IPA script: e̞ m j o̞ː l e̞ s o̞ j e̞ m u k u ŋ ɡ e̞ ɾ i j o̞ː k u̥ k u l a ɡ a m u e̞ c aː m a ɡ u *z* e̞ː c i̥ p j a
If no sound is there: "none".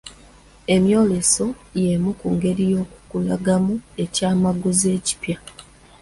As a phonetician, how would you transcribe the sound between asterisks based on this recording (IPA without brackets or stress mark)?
z